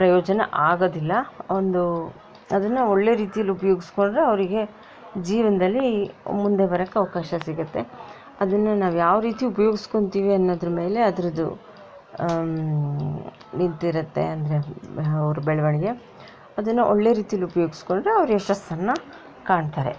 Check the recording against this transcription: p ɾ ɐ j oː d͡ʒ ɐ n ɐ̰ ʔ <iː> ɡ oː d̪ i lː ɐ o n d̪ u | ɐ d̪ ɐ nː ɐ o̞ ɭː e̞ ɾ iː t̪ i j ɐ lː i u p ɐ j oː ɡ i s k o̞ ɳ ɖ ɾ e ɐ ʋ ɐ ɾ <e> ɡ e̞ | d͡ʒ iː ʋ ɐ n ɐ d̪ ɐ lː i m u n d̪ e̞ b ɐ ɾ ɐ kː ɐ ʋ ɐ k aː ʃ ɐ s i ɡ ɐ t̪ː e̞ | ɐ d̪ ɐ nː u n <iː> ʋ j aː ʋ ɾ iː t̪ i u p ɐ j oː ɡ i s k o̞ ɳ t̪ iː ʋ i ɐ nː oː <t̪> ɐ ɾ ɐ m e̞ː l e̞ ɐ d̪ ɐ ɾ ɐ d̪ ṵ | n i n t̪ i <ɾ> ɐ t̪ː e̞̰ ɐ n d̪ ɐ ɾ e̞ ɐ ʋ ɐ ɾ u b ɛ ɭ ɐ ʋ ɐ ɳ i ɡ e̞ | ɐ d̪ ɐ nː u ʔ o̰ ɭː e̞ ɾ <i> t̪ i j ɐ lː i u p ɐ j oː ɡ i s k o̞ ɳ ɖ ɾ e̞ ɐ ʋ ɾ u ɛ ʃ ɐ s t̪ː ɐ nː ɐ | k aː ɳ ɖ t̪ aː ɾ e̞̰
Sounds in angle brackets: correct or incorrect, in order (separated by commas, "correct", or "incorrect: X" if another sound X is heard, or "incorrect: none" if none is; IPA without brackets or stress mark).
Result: incorrect: aː, incorrect: i, incorrect: aː, incorrect: d̪, correct, incorrect: iː